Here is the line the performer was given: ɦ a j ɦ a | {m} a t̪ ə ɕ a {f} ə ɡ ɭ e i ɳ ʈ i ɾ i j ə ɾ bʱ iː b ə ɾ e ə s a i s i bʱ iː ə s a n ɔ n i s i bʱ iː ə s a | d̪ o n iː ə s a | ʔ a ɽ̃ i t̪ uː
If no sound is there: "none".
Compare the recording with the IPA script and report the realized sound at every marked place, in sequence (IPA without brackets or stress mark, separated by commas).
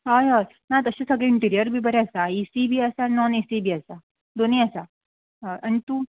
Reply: n, s